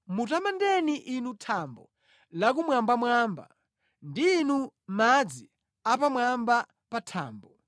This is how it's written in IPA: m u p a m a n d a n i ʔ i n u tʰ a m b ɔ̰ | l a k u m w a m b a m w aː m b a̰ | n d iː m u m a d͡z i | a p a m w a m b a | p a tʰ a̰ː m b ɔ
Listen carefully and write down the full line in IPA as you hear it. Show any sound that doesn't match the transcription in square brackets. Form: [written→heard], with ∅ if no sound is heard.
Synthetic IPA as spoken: m u [p→t] a m a n d [a→ɛ] n i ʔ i n u tʰ a m b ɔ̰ | l a k u m w a m b a m w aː m b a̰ | n d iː [m→n] u m a d͡z i | a p a m w a m b a | p a tʰ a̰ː m b ɔ